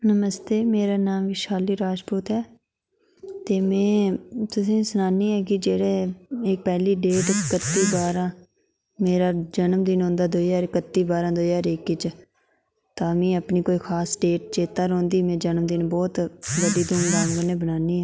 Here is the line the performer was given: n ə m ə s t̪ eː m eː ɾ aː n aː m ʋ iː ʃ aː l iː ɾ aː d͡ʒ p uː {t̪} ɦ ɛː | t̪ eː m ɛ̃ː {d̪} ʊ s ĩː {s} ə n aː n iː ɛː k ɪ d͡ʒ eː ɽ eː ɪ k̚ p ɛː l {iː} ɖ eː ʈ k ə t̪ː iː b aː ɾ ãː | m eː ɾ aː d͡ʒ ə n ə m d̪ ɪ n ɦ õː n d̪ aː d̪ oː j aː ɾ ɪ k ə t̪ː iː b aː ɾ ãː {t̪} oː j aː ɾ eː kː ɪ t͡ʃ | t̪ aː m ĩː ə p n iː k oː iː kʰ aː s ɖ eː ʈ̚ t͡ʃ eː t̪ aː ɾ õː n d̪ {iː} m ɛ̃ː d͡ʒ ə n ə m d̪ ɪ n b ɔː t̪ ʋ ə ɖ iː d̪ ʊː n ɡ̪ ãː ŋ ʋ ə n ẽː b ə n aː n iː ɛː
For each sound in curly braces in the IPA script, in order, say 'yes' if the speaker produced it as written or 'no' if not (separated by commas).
yes, no, yes, yes, no, yes